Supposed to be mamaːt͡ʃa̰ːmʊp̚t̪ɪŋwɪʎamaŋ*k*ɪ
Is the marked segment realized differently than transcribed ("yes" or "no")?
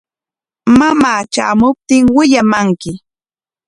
no